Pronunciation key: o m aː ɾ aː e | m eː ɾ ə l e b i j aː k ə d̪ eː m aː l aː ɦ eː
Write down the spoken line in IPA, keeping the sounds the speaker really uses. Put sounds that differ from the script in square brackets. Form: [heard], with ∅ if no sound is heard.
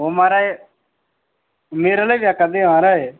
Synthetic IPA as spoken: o m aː ɾ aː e | m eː ɾ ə l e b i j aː k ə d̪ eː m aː [ɾ] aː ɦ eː